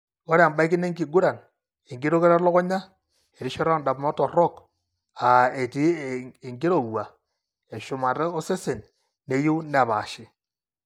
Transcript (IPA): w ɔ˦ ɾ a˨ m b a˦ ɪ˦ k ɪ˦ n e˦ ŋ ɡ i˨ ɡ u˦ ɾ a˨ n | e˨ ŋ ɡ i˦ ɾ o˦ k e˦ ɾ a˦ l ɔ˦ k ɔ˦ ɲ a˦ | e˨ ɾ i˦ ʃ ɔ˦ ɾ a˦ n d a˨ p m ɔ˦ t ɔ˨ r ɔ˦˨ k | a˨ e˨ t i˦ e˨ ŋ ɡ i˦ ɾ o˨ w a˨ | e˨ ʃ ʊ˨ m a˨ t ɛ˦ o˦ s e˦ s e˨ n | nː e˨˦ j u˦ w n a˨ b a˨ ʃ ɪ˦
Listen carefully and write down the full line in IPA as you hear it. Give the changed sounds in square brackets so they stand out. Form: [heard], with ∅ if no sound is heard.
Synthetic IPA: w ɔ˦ ɾ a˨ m b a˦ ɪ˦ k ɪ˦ n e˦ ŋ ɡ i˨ ɡ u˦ ɾ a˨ n | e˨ ŋ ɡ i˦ ɾ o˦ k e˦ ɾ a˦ l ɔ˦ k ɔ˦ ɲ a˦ | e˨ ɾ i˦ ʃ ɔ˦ ɾ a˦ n d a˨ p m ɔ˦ t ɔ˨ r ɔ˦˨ k | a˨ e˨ t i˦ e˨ ŋ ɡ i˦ ɾ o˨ w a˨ | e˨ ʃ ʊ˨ m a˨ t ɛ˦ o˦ s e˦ s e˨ n | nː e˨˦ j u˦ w n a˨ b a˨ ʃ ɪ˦